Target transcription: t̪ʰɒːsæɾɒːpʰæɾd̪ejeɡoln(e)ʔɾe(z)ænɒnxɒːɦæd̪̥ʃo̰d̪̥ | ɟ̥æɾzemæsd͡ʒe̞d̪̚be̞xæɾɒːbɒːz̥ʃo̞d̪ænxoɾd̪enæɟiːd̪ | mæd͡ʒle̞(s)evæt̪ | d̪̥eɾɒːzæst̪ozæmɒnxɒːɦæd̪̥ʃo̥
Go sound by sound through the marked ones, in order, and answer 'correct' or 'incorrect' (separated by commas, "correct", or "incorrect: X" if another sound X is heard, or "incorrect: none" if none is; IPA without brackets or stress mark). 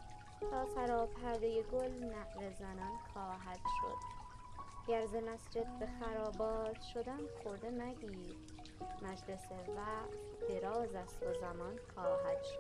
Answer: incorrect: æ, correct, correct